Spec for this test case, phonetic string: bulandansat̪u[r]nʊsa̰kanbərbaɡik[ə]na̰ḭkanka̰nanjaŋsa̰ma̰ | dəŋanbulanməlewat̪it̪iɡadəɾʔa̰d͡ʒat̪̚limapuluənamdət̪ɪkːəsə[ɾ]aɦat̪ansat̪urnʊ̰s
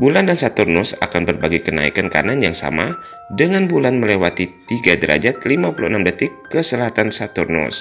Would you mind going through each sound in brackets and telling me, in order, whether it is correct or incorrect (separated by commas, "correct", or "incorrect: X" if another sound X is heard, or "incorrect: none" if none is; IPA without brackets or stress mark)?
correct, correct, incorrect: l